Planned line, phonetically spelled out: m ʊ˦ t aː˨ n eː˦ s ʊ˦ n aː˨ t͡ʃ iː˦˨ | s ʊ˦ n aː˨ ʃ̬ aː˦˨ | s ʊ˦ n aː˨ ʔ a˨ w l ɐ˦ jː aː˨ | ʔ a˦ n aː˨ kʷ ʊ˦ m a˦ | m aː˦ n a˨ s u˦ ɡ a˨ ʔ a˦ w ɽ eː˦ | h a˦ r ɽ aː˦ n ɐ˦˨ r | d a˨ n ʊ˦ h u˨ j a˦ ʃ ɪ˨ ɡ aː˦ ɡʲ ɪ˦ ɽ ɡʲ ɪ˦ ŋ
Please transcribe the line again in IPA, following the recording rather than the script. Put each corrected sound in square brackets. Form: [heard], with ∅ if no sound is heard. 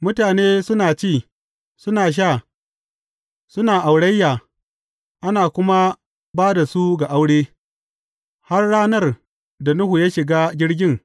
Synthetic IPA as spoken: m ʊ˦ t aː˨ n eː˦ s ʊ˦ n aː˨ t͡ʃ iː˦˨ | s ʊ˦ n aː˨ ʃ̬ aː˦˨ | s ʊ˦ n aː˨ ʔ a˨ w [ɽ] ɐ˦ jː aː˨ | ʔ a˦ n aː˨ kʷ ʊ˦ m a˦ | [b] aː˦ [d] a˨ s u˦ ɡ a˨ ʔ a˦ w ɽ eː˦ | h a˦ r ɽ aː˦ n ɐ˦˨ r | d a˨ n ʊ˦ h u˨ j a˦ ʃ ɪ˨ ɡ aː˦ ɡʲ ɪ˦ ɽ ɡʲ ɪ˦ ŋ